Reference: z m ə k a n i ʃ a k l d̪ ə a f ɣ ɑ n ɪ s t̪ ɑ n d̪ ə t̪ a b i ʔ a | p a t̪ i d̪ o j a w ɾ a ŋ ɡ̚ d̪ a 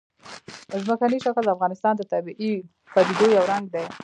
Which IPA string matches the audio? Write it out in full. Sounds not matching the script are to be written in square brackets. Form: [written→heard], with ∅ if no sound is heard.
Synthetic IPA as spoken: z m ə k a n i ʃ a k l d̪ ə a f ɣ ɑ n ɪ s t̪ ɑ n d̪ ə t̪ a b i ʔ [a→i] | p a [t̪→d̪] i d̪ o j a w ɾ a ŋ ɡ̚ d̪ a